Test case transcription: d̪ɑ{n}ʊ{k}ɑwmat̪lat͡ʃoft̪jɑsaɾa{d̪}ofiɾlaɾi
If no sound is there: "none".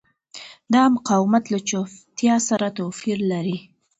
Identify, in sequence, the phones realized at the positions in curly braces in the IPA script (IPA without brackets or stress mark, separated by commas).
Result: m, q, t̪